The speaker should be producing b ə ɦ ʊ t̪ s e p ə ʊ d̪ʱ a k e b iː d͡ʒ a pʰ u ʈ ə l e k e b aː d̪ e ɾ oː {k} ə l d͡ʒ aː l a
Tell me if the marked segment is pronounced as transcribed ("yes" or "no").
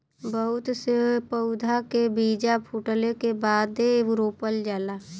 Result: no